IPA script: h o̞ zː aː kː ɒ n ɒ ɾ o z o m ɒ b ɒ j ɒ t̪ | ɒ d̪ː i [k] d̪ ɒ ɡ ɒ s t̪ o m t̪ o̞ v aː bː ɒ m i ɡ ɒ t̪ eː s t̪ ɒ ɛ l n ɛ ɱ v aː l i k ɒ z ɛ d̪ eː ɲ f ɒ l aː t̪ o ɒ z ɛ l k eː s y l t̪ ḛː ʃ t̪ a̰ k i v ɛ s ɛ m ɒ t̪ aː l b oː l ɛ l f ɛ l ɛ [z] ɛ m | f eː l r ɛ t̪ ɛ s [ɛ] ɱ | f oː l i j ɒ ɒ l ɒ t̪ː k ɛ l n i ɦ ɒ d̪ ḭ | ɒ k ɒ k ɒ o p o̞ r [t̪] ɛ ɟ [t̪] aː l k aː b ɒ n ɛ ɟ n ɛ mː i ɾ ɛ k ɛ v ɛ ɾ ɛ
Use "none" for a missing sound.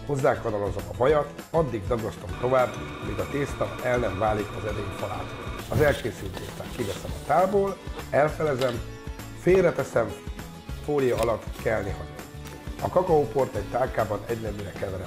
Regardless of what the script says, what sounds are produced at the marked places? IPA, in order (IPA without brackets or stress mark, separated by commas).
ɡ, z, ɛ, t̪, t̪